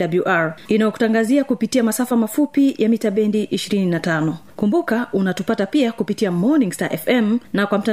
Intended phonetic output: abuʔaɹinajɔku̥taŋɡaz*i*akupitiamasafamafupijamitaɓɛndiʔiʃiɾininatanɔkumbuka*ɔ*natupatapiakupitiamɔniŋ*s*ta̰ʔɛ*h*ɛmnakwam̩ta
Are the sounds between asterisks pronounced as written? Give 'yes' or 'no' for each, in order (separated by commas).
yes, no, yes, no